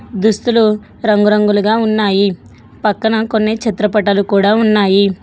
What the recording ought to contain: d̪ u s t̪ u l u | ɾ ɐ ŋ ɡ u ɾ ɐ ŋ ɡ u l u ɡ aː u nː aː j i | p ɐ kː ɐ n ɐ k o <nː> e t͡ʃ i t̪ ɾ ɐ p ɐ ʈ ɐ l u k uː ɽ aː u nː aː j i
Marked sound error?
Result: no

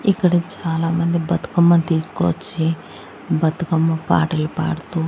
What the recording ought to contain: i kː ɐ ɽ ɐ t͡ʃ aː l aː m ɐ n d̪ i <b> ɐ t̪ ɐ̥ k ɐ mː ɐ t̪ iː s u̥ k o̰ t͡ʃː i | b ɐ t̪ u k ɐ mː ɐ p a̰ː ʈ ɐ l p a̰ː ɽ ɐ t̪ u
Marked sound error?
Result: no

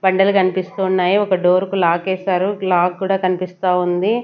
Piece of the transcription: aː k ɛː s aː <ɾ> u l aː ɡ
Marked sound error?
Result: no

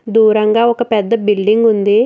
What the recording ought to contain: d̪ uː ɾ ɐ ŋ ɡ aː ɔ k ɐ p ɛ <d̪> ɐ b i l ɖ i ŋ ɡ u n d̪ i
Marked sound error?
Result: yes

